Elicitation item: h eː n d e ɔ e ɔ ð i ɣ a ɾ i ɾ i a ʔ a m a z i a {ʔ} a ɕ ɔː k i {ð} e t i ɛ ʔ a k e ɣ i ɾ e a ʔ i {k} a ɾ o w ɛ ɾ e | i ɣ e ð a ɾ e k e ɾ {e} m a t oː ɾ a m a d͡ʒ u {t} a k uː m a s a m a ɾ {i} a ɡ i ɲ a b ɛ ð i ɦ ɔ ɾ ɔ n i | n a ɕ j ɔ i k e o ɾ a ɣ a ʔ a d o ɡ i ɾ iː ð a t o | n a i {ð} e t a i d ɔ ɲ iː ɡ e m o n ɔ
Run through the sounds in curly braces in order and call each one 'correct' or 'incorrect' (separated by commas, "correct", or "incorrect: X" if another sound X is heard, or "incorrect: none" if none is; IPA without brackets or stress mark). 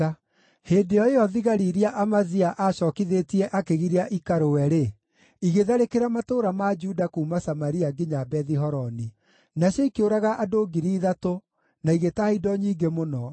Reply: correct, correct, correct, incorrect: a, incorrect: d, correct, incorrect: ɣ